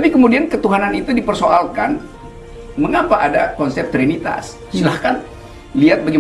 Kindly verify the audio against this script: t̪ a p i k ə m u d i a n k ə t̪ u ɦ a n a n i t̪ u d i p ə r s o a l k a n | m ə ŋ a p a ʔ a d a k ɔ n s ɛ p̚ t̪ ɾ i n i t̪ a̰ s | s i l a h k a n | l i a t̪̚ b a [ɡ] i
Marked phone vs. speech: correct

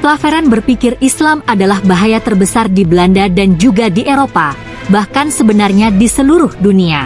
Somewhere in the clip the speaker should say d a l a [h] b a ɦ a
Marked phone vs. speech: correct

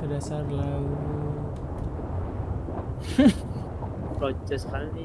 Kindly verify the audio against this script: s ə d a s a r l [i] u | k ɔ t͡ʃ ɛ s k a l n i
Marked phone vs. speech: incorrect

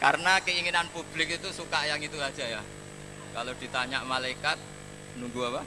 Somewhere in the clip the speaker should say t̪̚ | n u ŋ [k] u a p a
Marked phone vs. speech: incorrect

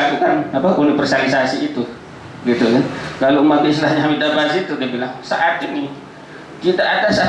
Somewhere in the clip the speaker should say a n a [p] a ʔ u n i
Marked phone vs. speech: correct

